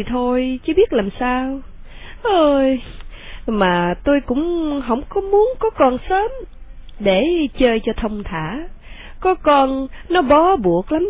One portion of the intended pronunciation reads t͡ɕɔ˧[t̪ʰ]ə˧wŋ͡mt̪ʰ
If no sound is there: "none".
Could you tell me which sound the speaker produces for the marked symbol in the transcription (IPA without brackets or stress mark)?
t̪ʰ